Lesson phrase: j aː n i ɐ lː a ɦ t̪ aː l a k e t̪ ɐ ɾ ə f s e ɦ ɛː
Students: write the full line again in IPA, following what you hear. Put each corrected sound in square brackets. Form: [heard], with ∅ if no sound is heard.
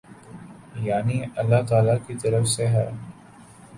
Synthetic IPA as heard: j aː n i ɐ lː a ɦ t̪ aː l a k [i] t̪ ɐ ɾ ə f s e ɦ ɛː